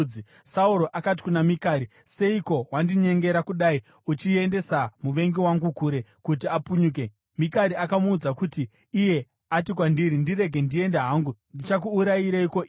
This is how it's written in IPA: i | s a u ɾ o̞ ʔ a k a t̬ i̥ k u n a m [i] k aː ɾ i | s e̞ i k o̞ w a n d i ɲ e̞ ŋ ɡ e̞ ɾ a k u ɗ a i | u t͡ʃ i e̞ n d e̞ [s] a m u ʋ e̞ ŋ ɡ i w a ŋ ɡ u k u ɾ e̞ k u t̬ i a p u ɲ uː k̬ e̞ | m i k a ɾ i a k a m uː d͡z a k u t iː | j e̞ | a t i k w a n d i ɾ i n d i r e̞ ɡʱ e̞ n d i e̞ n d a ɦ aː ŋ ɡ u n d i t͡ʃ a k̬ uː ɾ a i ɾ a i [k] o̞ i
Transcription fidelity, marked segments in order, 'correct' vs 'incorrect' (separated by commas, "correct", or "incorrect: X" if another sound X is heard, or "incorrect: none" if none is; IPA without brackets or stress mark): correct, correct, correct